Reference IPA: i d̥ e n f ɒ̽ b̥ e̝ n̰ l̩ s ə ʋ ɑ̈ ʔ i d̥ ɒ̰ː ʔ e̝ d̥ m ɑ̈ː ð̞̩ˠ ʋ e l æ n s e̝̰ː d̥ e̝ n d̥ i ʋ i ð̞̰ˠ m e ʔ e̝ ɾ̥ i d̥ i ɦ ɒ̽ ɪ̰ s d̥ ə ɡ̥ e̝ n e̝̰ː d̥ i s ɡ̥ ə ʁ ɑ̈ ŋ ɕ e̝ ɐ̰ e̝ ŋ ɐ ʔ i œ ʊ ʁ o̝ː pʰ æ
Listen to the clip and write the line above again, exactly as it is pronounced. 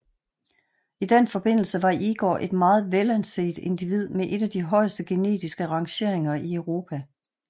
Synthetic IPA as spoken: i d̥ e n f ɒ̽ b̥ e̝ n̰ l̩ s ə ʋ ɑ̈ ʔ i ɡ̥ ɒ̰ː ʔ e̝ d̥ m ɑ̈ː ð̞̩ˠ ʋ e l æ n s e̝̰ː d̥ e̝ n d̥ i ʋ i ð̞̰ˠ m e ʔ e̝ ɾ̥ æ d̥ i ɦ ɒ̽ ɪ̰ s d̥ ə ɡ̥ e̝ n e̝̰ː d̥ i s ɡ̥ ə ʁ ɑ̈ ŋ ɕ e̝ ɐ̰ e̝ ŋ ɐ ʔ i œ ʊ ʁ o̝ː pʰ æ